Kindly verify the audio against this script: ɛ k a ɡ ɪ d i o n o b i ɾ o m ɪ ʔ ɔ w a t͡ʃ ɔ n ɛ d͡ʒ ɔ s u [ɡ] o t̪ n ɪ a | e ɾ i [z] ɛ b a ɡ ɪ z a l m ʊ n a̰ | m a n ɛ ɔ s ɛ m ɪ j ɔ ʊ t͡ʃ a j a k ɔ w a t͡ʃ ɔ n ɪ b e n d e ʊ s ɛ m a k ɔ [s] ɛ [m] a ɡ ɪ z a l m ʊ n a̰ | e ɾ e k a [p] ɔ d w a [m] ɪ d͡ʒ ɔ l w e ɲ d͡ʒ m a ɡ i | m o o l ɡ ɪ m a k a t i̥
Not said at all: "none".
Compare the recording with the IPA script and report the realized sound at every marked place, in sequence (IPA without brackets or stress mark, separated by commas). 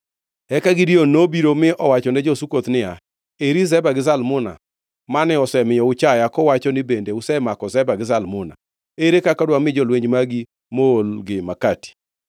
k, z, z, b, k, m